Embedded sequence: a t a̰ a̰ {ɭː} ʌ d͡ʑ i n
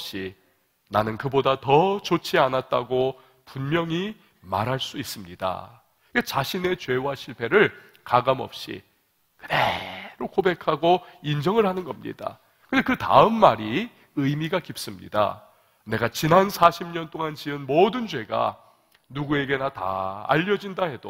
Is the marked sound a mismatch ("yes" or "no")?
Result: yes